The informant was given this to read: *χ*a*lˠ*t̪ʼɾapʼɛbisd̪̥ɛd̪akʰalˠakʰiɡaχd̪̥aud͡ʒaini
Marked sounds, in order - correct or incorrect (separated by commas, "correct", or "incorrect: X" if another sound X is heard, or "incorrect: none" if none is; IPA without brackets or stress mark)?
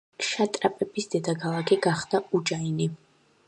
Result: incorrect: ʃ, incorrect: none